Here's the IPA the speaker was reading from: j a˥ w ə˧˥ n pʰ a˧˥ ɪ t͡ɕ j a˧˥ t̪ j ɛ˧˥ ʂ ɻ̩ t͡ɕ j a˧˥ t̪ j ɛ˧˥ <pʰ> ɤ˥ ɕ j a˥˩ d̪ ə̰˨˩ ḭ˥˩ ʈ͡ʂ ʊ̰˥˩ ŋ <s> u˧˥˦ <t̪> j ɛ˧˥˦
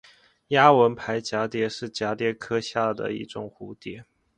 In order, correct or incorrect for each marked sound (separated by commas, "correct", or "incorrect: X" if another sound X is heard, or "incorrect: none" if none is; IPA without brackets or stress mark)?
incorrect: kʰ, incorrect: x, correct